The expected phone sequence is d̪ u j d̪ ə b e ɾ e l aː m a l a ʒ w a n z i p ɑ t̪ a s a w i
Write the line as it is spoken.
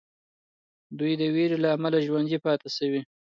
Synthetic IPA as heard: d̪ u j d̪ ə w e ɾ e l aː m a l a ʒ w a n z i p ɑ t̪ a s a w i